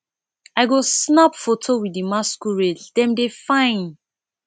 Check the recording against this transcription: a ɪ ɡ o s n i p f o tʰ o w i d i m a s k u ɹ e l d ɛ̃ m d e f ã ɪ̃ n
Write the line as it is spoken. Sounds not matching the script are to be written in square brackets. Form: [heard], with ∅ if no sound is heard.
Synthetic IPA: a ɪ ɡ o s n [a] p f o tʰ o w i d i m a s k u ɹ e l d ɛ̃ m d e f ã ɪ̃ n

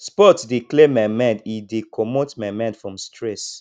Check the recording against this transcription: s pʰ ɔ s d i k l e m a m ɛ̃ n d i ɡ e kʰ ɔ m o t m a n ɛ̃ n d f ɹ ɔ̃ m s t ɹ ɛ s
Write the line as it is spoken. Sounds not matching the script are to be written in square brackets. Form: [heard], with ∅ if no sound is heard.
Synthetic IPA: s [p] ɔ [t] d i k l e m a m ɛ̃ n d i [d] e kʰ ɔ m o t m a [m] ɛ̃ n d f ɹ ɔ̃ m s t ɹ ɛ s

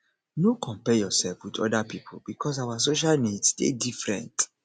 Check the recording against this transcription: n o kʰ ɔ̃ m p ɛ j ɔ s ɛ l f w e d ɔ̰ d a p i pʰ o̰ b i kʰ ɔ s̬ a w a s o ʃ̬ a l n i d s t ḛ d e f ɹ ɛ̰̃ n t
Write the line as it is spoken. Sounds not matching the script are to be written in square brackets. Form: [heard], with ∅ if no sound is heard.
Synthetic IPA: n o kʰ ɔ̃ m p ɛ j ɔ s ɛ l f w [i] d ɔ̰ d a p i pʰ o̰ b i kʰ ɔ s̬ a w a s o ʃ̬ a l n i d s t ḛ d [i] f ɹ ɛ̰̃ n t

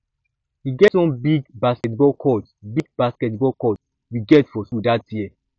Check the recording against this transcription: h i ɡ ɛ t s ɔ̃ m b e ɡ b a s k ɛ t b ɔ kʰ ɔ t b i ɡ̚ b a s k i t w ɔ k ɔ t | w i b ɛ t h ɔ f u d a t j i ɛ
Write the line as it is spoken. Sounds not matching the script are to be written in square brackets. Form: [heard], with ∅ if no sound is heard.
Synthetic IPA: h i ɡ ɛ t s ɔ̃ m b [i] ɡ b a s k ɛ t b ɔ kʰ ɔ t b i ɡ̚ b a s k [ɛ] t [b] ɔ k ɔ t | w i [ɡ] ɛ t [f] ɔ [s] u d a t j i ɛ

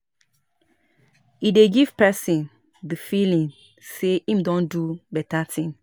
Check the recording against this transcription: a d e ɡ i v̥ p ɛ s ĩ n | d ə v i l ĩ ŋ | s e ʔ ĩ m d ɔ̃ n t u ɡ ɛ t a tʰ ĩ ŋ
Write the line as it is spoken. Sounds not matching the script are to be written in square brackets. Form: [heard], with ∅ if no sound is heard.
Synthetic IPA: [i] d e ɡ i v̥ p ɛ s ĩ n | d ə [f] i l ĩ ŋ | s e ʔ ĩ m d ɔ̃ n [d] u [b] ɛ t a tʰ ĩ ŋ

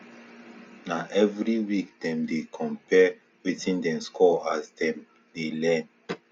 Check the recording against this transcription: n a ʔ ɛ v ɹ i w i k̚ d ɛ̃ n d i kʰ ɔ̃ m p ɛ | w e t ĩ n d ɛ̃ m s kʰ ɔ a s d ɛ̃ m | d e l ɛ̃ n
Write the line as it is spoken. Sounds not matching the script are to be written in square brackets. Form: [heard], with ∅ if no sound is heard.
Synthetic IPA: n a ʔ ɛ v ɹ i w i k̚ d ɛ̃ [m] d [e] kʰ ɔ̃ m p ɛ | w [i] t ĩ n d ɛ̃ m s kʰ ɔ a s d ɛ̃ m | d e l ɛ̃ n

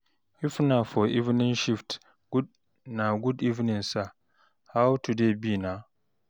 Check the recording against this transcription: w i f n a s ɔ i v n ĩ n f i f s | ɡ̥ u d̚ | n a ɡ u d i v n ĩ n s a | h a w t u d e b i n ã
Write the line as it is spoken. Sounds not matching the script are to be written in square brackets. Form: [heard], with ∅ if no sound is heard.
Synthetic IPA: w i f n a [f] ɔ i v n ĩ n [ʃ] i f [t] | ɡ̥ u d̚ | n a ɡ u d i v n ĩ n s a | h a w t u d e b i n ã

